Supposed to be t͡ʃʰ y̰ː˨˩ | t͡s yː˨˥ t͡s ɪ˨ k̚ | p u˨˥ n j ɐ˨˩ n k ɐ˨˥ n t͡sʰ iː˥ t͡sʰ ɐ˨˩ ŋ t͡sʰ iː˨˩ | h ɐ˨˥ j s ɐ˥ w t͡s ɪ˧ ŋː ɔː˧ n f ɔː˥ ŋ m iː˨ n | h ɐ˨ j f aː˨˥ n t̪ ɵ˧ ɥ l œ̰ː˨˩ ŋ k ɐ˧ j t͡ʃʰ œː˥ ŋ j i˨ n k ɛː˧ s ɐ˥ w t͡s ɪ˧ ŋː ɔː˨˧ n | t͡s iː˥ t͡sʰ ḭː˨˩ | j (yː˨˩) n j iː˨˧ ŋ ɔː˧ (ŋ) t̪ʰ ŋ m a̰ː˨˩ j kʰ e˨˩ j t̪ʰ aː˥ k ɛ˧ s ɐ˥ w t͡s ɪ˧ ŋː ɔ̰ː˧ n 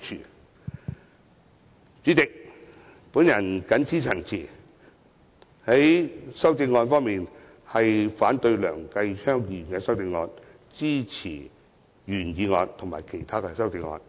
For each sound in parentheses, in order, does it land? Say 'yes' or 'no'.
yes, no

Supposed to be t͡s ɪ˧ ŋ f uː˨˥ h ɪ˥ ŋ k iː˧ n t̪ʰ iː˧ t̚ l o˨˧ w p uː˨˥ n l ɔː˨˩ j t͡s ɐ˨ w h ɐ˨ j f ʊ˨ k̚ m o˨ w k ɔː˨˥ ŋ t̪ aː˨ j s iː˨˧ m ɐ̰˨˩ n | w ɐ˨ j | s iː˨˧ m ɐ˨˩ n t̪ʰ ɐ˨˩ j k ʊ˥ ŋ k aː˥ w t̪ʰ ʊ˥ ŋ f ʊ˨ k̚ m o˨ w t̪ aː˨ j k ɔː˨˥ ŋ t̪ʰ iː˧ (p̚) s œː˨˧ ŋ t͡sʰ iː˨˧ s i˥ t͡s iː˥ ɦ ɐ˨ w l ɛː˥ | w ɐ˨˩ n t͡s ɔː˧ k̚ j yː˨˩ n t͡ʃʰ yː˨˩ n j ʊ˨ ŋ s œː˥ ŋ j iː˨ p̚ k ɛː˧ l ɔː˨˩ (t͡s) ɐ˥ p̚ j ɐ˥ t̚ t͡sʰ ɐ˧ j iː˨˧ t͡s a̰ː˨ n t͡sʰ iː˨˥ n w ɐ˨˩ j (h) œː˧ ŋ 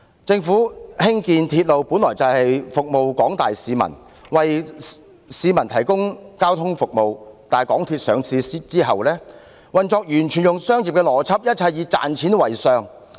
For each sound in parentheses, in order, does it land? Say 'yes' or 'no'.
no, no, no

